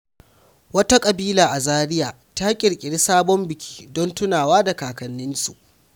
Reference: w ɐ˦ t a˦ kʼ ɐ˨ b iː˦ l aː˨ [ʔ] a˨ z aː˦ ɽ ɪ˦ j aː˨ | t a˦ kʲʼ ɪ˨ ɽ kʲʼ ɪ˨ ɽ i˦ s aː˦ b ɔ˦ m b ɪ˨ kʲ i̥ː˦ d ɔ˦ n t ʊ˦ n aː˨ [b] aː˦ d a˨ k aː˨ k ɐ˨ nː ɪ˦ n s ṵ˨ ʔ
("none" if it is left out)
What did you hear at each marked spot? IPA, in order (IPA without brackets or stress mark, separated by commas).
ʔ, w